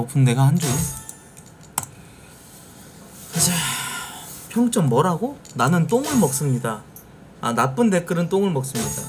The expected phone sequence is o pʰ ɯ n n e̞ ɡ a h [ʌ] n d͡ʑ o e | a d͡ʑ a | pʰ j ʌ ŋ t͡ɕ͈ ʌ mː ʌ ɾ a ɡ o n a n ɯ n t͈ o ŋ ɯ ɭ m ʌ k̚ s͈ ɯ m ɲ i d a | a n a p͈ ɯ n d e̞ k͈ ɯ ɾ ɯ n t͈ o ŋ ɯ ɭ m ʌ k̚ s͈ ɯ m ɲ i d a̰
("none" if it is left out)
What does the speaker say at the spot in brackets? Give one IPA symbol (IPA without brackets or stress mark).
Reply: a